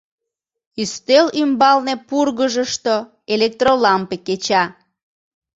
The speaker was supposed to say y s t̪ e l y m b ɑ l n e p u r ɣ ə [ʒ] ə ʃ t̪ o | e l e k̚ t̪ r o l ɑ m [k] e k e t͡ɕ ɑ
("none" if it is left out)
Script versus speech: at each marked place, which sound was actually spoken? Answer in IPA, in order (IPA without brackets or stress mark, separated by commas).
ʒ, p